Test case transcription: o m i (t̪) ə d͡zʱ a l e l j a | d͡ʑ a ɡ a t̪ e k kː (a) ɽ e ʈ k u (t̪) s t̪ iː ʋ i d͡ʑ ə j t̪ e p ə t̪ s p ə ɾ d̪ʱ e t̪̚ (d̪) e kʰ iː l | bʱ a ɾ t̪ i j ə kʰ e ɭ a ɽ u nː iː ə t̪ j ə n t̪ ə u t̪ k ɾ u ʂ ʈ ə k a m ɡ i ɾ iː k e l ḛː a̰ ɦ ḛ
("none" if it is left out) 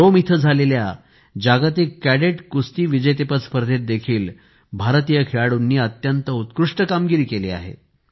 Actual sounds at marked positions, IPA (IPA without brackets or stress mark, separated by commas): t̪ʰ, æ, none, d̪